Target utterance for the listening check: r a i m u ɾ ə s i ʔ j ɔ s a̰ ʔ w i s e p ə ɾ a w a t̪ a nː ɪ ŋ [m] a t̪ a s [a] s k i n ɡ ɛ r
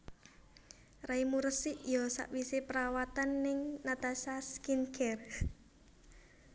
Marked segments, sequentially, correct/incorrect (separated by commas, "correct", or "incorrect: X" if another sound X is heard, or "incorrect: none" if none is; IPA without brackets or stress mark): incorrect: n, correct